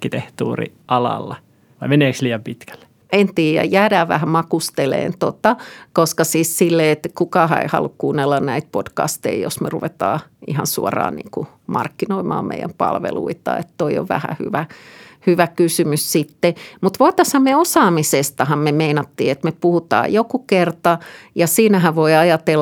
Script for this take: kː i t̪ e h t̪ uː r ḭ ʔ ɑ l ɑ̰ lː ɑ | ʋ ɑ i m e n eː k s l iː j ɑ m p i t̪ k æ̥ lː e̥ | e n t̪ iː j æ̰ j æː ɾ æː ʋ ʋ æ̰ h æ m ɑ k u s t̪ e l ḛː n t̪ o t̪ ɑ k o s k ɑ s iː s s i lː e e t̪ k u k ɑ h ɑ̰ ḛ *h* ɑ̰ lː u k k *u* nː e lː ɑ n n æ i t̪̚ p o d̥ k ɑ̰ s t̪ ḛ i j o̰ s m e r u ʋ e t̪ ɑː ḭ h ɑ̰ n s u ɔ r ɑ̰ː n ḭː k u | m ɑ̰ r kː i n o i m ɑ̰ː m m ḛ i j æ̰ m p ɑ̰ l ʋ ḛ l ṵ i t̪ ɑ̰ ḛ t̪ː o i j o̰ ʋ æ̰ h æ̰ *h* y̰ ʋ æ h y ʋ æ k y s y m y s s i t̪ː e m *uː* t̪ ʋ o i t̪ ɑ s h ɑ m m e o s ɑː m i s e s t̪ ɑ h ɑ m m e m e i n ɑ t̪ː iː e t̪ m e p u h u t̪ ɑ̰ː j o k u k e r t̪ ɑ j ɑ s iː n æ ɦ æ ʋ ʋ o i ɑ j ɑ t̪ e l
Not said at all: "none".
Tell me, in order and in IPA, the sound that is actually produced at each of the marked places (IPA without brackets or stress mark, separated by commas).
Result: h, uː, h, u